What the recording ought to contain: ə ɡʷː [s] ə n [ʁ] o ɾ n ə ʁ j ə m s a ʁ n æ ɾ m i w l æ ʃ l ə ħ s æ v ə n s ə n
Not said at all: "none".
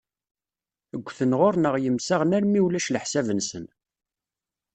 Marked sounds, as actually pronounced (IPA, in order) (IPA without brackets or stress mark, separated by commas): θ, ʁ